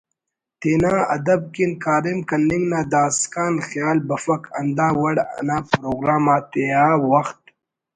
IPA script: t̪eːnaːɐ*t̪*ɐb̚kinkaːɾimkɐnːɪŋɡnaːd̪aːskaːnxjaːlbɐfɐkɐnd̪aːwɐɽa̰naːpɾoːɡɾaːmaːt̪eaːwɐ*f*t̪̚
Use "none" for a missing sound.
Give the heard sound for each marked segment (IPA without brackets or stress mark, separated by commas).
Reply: d̪, x